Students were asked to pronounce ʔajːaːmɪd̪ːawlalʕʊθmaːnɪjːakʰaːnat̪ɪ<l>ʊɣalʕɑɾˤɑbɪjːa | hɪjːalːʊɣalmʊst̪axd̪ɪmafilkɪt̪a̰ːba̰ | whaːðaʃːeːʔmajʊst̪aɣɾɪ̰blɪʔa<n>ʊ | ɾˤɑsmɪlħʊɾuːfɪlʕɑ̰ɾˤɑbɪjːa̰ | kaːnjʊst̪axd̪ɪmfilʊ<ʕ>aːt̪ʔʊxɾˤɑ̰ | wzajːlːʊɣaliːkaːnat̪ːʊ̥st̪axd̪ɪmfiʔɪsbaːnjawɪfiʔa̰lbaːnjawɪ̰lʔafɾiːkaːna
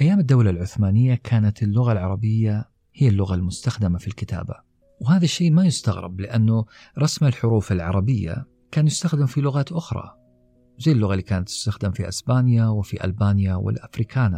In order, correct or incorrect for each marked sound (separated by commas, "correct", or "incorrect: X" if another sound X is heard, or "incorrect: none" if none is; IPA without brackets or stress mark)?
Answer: incorrect: lː, incorrect: nː, incorrect: ɣ